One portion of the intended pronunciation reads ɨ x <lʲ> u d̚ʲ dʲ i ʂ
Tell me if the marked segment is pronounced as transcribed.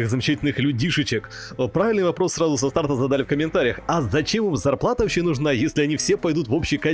yes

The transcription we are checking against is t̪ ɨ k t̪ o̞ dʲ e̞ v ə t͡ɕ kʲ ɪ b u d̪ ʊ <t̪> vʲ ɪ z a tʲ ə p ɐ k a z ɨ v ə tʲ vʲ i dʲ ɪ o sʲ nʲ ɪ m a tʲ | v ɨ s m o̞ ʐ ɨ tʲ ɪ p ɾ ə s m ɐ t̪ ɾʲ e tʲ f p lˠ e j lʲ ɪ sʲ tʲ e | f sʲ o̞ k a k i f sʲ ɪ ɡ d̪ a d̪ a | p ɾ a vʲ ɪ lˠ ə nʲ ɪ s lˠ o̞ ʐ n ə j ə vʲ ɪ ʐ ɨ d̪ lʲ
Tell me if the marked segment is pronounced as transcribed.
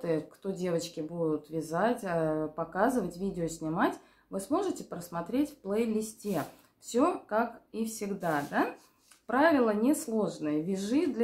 yes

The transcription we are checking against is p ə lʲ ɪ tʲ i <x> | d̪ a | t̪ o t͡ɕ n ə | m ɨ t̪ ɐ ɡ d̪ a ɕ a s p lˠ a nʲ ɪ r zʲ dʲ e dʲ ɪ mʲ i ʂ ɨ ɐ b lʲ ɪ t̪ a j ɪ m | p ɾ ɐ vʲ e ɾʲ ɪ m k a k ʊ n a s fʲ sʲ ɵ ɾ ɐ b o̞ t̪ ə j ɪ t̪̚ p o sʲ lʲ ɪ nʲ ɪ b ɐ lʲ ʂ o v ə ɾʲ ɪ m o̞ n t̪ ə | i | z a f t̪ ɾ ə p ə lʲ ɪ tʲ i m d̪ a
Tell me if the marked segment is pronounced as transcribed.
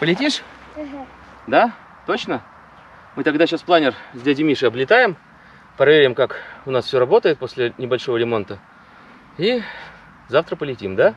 no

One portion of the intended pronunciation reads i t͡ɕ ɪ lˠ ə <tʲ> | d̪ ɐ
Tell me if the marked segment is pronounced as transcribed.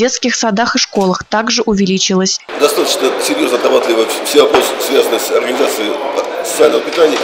no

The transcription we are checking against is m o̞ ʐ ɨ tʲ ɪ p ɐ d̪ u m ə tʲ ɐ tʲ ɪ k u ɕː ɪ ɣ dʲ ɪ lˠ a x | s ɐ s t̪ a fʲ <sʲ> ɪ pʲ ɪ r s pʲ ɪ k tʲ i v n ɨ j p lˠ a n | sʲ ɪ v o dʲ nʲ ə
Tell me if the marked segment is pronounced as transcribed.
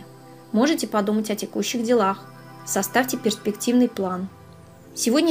no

